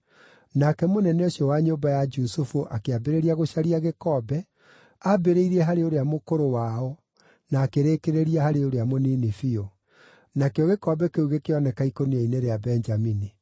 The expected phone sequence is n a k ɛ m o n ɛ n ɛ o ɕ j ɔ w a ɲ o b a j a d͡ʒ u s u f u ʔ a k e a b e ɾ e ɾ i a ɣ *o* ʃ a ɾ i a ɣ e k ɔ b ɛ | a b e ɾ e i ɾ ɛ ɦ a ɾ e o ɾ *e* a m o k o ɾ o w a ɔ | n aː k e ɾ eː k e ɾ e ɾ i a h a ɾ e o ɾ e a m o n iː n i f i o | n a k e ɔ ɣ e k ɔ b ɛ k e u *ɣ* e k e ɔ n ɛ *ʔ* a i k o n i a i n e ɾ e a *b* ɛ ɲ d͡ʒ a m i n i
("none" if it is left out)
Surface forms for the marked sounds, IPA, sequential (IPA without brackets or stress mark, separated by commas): o, e, ɣ, k, b